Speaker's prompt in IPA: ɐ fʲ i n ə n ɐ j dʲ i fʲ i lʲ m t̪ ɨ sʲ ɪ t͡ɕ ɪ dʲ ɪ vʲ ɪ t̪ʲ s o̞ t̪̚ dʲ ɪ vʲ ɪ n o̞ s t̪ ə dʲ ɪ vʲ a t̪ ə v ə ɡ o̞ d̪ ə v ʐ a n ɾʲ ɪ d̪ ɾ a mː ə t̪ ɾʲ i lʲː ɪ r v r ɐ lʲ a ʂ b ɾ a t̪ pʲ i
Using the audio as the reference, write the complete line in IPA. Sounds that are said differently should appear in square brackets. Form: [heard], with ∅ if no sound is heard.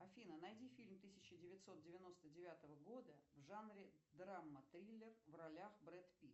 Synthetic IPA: ɐ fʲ i n ə n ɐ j dʲ i fʲ i lʲ m t̪ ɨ sʲ ɪ t͡ɕ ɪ dʲ ɪ vʲ ɪ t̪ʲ s o̞ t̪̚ dʲ ɪ vʲ ɪ n o̞ s t̪ ə dʲ ɪ vʲ a t̪ ə v ə ɡ o̞ d̪ ə v ʐ a n ɾʲ ɪ d̪ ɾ a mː ə t̪ ɾʲ i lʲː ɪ r v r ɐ lʲ a [x] b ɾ [ɛ] t̪ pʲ i

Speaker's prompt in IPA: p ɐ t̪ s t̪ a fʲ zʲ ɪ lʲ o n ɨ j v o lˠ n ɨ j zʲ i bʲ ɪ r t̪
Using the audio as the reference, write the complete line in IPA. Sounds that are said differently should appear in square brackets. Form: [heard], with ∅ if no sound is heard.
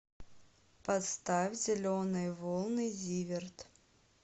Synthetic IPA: p ɐ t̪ s t̪ a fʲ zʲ ɪ lʲ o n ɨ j v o lˠ n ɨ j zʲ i [vʲ] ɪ r t̪

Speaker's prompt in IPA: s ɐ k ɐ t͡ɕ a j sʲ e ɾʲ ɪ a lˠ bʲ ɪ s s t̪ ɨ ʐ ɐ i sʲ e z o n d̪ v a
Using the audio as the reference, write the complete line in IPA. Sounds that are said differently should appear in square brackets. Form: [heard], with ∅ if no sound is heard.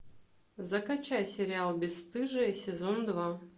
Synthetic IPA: [z] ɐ k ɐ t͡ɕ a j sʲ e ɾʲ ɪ a lˠ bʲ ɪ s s t̪ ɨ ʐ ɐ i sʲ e z o n d̪ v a

